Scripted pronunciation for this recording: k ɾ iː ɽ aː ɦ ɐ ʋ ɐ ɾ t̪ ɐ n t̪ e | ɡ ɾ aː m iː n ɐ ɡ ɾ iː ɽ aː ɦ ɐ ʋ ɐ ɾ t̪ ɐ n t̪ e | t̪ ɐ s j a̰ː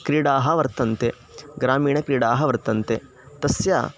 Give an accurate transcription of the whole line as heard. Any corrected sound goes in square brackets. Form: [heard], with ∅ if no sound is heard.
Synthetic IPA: k ɾ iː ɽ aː ɦ ɐ ʋ ɐ ɾ t̪ ɐ n t̪ e | ɡ ɾ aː m iː [ɳ] ɐ [k] ɾ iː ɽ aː ɦ ɐ ʋ ɐ ɾ t̪ ɐ n t̪ e | t̪ ɐ s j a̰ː